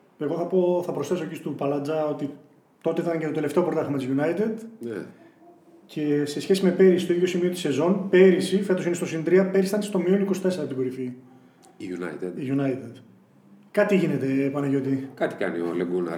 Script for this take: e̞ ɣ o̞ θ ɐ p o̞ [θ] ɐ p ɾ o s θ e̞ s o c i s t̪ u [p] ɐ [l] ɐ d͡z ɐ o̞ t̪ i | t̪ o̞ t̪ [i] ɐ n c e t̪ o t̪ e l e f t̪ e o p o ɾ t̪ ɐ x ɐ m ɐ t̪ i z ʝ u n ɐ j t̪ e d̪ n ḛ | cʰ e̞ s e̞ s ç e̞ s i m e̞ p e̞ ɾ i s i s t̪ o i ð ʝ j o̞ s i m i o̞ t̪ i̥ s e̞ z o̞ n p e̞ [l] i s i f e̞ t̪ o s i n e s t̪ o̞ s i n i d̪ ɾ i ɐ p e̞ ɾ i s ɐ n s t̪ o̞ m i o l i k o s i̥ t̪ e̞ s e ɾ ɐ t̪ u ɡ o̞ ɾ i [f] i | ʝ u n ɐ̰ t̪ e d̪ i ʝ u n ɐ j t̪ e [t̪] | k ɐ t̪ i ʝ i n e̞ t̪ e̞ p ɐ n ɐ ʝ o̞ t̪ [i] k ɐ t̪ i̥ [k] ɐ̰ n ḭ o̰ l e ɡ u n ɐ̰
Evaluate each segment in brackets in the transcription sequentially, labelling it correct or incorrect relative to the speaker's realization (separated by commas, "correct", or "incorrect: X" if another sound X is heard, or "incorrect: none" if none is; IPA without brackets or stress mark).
correct, correct, correct, incorrect: e, incorrect: ɾ, correct, incorrect: d̪, correct, correct